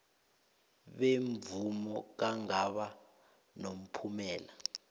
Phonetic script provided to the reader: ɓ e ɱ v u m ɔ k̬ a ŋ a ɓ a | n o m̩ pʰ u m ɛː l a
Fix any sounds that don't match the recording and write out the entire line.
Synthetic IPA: ɓ e ɱ v u m ɔ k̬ a ŋ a ɓ a | n o m̩ pʰ u m ɛː l a